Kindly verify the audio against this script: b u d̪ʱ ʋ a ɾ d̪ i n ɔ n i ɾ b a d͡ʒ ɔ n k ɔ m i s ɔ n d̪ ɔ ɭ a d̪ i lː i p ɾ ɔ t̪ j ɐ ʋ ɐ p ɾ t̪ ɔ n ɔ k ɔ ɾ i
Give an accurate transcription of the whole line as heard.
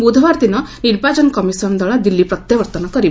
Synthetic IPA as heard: b u d̪ʱ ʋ a ɾ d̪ i n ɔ n i ɾ b a d͡ʒ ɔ n k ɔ m i s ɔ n d̪ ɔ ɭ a d̪ i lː i p ɾ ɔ t̪ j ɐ ʋ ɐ ɾ t̪ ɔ n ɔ k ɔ ɾ i